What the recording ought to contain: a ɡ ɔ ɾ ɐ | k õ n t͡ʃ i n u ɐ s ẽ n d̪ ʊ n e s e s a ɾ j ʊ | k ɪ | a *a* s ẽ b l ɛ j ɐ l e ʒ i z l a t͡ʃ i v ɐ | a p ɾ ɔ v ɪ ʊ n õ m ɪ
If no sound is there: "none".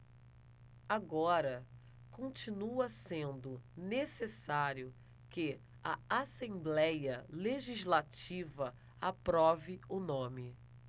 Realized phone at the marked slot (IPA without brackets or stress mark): a